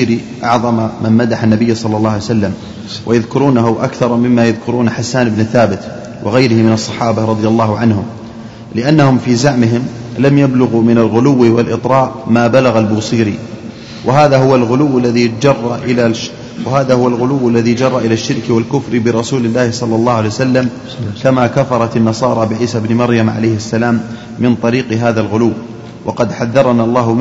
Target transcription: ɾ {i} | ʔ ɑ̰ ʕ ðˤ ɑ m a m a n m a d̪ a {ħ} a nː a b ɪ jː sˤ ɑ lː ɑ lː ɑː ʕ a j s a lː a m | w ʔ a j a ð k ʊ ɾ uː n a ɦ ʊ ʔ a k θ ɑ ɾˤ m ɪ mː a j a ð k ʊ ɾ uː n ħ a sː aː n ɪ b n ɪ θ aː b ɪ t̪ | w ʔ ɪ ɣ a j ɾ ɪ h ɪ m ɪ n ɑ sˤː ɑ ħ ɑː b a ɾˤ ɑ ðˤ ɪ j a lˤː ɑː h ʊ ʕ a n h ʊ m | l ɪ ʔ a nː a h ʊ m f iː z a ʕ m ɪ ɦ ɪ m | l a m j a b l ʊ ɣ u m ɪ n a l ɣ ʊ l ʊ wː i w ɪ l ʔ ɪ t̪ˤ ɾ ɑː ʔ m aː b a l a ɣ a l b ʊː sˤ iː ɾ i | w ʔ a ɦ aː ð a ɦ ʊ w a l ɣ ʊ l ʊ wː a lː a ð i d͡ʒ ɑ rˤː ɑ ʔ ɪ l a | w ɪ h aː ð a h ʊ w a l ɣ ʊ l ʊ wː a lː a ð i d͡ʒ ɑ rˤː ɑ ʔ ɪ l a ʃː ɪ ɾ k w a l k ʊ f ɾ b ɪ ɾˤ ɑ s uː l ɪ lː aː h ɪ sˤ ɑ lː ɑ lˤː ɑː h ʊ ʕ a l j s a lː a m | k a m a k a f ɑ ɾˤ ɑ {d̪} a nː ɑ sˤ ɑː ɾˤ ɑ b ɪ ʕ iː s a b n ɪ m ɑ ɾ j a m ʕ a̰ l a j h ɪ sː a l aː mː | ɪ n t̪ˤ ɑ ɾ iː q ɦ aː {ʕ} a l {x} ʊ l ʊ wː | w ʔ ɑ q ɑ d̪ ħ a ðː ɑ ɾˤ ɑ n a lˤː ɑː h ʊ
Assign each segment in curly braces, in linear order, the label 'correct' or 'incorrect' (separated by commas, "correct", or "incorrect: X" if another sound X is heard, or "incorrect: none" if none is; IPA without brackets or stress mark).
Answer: correct, correct, incorrect: t̪, incorrect: ð, incorrect: ɣ